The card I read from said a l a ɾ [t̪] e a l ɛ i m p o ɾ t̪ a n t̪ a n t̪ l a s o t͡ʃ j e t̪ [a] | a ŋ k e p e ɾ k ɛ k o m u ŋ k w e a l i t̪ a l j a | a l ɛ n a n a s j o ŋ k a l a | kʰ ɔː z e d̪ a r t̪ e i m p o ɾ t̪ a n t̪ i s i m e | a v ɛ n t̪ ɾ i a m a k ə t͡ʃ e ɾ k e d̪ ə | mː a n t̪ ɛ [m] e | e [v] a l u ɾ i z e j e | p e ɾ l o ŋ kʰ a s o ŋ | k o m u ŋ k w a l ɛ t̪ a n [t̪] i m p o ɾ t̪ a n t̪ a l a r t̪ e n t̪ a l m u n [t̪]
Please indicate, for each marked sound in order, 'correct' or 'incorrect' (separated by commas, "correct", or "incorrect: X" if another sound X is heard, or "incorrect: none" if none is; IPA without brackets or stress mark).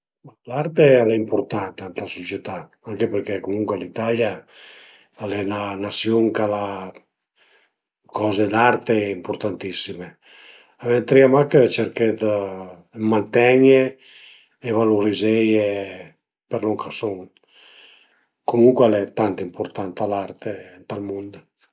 correct, correct, incorrect: ɲ, correct, correct, incorrect: d̪